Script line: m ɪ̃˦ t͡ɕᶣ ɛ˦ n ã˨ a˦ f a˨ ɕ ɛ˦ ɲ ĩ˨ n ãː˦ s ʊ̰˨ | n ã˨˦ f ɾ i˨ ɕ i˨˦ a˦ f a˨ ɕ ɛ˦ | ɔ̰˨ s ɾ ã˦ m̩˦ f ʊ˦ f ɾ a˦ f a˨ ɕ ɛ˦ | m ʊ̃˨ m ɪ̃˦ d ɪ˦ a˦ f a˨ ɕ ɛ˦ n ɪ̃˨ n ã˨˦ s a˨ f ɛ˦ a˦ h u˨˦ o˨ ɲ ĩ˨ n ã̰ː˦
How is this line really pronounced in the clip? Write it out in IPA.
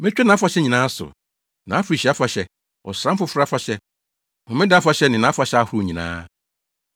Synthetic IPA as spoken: m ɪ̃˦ t͡ɕᶣ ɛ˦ n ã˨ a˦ f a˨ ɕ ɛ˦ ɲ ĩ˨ n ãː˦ s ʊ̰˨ | n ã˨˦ f ɾ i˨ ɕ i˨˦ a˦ f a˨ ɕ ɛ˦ | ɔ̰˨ s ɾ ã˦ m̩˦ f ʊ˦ f ɾ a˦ f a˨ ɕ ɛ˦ | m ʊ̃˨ m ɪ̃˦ d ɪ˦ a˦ f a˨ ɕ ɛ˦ n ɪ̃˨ n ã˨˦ f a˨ ɕ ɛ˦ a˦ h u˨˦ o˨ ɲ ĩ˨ n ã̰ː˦